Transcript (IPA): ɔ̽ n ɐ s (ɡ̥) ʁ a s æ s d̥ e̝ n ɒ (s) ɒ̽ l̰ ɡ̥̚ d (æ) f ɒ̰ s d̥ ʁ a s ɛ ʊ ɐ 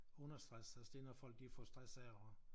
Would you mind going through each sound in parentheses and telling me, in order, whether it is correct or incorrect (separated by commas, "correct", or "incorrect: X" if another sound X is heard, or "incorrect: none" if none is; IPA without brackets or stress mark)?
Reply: incorrect: d̥, incorrect: f, incorrect: i